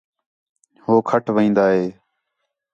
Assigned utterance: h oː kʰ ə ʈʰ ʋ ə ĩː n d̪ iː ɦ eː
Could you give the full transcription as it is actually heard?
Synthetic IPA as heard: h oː kʰ ə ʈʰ ʋ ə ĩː n d̪ aː ɦ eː